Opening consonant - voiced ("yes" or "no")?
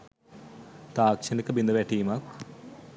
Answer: no